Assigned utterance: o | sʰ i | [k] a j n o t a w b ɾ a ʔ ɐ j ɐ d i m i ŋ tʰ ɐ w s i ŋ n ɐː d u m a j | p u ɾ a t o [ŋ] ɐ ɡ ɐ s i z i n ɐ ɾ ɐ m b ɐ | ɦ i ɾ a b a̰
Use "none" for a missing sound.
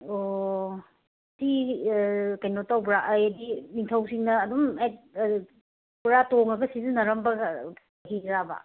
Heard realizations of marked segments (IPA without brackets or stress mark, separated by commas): k, ŋ